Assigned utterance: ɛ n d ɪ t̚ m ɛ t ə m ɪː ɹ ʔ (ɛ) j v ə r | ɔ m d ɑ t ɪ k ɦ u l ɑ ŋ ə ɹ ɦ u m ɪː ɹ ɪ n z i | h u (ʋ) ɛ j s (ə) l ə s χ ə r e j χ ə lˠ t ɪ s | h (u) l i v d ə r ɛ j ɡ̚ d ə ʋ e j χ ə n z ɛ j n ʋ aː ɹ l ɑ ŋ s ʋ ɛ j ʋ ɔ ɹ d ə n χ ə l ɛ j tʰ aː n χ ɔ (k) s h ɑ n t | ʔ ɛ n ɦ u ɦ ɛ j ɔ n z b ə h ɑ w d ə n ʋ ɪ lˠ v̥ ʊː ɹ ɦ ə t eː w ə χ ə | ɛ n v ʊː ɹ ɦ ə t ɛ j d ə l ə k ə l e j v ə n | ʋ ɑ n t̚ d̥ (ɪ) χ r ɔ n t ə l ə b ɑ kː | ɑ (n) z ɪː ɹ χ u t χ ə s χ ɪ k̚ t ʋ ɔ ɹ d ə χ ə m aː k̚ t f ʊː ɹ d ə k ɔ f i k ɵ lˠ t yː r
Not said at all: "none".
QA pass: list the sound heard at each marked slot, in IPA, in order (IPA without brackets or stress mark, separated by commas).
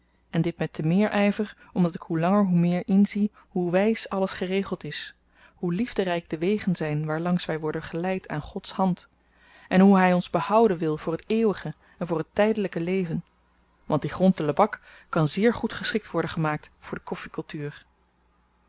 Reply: ɛ, ʋ, ɑ, u, t, i, n